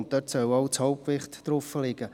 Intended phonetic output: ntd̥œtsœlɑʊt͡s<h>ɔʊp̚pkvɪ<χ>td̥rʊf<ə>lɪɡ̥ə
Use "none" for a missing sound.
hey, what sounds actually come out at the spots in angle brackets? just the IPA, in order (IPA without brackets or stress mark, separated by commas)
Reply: h, χ, ə